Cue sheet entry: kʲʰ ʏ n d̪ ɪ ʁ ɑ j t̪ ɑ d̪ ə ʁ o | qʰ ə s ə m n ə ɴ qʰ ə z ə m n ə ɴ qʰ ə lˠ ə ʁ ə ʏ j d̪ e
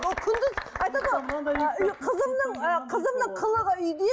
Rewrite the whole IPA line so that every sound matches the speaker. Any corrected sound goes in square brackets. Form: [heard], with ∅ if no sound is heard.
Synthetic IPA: kʲʰ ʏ n d̪ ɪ [z] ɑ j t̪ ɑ d̪ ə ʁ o | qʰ ə [z] ə m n ə ɴ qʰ ə z ə m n ə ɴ qʰ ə lˠ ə ʁ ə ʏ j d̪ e